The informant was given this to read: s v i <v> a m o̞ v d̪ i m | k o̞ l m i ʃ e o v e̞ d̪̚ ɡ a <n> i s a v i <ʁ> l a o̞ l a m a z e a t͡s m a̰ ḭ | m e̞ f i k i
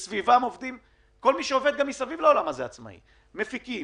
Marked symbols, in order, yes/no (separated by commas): yes, no, no